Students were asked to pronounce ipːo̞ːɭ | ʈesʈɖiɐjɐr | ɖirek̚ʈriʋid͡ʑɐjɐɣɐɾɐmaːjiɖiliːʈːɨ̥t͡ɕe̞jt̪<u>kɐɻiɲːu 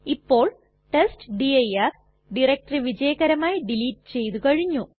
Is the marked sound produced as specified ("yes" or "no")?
yes